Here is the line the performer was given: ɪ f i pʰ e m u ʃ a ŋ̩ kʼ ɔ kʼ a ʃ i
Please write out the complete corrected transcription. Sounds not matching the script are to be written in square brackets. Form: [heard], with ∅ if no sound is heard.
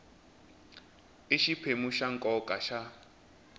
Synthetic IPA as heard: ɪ [ʃ] i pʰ e m u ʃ a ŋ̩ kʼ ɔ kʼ a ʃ [a]